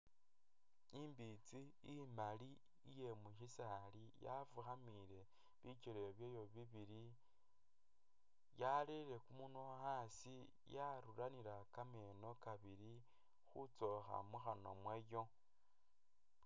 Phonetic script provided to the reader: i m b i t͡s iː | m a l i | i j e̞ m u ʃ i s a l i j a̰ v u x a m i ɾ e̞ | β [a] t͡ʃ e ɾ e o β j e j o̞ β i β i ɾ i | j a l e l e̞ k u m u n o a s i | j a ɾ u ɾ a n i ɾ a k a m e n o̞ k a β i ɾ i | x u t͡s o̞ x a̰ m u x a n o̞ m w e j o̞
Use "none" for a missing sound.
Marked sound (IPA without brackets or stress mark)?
i